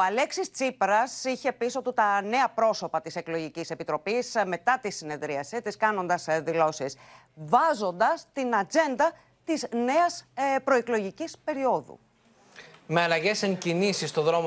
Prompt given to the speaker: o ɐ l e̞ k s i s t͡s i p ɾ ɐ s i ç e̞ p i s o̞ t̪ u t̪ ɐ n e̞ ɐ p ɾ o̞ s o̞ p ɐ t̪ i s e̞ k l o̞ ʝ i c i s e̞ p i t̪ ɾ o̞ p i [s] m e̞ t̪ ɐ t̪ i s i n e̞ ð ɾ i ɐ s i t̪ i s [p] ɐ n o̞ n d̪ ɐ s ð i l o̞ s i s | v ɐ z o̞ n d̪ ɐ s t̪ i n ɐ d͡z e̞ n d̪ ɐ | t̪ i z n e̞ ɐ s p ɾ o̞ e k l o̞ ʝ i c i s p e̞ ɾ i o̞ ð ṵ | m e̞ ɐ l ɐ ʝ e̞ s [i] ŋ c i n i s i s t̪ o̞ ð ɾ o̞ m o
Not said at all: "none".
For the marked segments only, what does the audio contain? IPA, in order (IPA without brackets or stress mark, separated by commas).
s, k, e